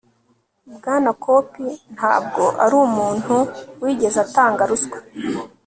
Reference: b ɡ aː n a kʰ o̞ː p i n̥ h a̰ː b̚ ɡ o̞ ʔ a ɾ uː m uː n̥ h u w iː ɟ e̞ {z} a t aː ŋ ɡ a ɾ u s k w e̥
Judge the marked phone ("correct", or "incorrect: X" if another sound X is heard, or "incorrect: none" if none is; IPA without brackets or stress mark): correct